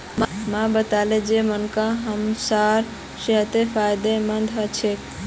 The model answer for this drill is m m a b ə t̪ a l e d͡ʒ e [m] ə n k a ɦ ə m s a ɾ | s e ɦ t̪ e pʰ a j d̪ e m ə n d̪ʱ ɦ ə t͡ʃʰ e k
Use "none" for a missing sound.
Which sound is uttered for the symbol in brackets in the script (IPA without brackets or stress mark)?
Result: m